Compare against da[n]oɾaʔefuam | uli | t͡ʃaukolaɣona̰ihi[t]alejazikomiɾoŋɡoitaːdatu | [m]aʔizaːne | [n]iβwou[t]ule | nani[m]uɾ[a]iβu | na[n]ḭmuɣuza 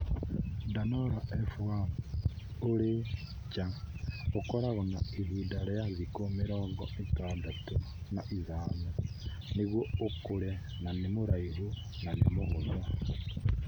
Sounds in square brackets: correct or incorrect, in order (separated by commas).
correct, incorrect, incorrect, correct, incorrect, correct, correct, correct